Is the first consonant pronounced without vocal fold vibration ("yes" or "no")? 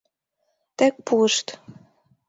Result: yes